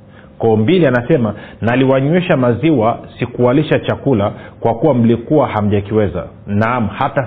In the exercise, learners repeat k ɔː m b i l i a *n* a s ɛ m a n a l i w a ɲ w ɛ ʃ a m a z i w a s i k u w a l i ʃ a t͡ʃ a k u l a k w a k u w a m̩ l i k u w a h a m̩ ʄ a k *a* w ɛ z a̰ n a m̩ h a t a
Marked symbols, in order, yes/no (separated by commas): yes, no